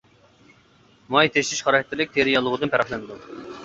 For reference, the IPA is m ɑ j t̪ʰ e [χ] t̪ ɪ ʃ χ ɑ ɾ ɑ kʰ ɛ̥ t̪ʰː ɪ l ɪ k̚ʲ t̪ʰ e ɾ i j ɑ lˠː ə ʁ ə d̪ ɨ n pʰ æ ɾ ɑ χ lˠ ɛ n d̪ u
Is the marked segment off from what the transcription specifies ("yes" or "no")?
yes